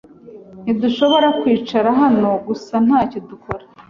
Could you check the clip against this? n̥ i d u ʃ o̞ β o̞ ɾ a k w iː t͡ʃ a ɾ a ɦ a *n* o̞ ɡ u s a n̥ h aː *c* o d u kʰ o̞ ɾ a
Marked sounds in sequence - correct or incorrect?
correct, correct

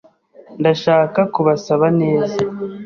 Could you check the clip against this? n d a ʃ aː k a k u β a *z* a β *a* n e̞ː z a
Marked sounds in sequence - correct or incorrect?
incorrect, correct

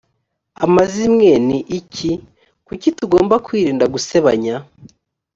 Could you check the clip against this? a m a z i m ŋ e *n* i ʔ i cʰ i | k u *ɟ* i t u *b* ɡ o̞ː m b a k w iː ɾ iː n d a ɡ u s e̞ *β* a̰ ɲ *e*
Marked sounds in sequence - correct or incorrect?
correct, incorrect, incorrect, correct, incorrect

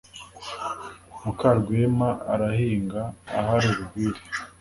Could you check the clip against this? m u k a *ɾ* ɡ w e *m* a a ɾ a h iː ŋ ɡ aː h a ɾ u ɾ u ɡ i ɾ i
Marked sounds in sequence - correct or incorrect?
correct, correct

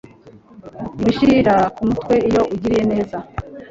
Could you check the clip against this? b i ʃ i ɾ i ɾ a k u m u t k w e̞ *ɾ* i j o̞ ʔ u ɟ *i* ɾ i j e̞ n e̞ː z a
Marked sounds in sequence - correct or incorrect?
incorrect, correct

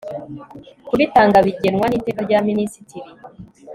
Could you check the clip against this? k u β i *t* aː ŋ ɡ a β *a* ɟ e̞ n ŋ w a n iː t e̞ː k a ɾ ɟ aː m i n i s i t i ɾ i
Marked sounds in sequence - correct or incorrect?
correct, incorrect

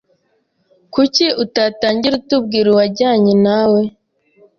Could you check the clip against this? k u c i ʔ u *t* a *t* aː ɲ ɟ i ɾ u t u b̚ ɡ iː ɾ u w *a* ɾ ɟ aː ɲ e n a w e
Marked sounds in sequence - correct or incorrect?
correct, correct, correct

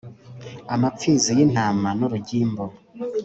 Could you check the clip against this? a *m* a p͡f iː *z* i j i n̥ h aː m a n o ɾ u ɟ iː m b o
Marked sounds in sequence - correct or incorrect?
correct, correct

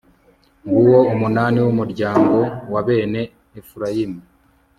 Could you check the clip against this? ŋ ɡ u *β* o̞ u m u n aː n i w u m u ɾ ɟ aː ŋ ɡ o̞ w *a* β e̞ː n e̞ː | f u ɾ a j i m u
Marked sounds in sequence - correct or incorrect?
incorrect, correct

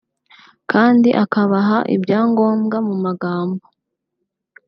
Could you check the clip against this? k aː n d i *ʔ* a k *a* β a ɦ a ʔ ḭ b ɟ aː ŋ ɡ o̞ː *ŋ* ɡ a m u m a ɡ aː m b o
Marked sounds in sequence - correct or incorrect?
correct, correct, incorrect

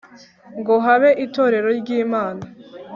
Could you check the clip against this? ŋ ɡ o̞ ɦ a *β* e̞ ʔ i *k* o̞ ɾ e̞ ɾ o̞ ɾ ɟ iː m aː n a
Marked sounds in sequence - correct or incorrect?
correct, incorrect

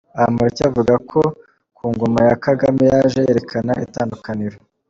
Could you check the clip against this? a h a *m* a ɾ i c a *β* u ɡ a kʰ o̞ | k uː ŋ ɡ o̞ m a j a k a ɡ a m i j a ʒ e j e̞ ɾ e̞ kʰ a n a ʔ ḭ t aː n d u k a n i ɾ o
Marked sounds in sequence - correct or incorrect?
correct, incorrect

